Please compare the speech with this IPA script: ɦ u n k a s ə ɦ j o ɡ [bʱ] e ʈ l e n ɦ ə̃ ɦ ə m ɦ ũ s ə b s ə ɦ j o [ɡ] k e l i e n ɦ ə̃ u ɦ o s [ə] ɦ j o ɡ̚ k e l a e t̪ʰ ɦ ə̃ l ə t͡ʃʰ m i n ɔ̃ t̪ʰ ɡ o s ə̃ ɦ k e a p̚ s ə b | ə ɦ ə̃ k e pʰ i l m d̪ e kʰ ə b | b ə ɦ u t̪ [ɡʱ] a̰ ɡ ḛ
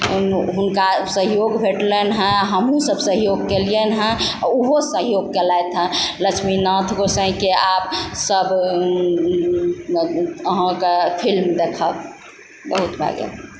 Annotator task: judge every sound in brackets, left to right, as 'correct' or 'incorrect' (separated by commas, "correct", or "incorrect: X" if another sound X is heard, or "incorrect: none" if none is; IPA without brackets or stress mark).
correct, correct, correct, incorrect: bʱ